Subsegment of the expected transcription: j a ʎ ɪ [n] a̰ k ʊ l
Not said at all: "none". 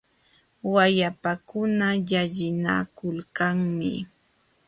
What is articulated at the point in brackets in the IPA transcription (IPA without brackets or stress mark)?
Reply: n